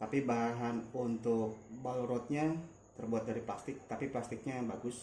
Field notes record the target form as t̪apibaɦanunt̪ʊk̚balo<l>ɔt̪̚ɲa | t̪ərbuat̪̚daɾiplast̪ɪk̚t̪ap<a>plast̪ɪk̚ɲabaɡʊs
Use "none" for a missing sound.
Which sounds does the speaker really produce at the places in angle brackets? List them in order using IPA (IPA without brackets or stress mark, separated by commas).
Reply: ɾ, i